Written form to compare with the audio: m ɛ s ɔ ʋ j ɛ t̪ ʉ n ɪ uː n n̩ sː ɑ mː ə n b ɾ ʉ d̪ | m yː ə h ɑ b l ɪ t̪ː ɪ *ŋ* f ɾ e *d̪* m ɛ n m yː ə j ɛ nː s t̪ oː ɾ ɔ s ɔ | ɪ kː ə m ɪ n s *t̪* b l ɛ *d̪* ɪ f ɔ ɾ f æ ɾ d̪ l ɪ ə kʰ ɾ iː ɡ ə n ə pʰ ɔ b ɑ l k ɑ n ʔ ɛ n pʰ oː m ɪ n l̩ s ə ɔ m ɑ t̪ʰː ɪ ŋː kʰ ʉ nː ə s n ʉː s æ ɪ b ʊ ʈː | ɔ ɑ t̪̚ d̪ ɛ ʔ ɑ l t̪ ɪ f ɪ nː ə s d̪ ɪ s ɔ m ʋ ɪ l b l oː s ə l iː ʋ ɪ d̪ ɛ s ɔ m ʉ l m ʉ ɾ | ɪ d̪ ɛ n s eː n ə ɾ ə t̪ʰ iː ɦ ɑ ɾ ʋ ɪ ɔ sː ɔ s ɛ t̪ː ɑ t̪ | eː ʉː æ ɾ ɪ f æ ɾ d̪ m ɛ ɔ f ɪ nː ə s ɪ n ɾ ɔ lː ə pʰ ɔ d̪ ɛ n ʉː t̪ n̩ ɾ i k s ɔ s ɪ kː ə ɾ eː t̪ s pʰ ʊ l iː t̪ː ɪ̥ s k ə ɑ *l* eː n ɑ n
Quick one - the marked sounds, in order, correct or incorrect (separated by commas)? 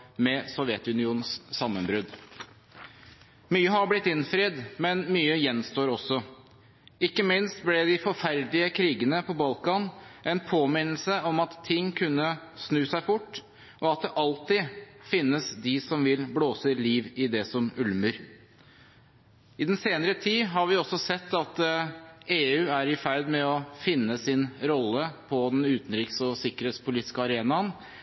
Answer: incorrect, correct, correct, correct, incorrect